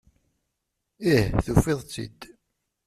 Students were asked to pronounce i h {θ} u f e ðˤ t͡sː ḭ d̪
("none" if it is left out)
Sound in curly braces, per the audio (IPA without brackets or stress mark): θ